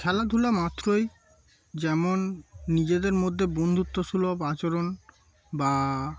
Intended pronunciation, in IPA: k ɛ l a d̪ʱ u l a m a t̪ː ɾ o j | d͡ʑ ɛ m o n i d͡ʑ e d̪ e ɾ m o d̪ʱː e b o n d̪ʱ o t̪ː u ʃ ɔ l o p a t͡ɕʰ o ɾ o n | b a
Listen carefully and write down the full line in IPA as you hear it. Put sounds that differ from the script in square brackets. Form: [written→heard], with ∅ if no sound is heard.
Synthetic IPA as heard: [k→kʰ] ɛ l a d̪ʱ u l a m a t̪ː ɾ o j | d͡ʑ ɛ m o [n→nː] i d͡ʑ e d̪ e ɾ m o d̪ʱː e b o n d̪ʱ [o→u] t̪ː [u→o] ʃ [ɔ→u] l o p a [t͡ɕʰ→t͡ɕ] o ɾ o n | b a